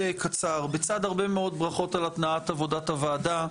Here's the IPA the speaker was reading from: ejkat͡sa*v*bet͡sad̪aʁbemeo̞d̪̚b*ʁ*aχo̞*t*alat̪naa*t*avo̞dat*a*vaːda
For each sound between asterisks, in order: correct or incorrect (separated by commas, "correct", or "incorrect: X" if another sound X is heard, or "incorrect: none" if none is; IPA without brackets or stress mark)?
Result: incorrect: ʁ, correct, correct, correct, correct